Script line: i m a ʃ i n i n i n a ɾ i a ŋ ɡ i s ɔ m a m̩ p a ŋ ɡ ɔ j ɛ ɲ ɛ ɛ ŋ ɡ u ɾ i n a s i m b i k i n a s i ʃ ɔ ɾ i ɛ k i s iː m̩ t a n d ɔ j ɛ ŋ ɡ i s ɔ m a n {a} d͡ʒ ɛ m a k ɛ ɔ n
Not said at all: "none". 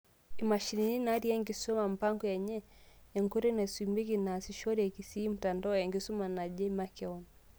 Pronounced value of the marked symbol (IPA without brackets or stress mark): a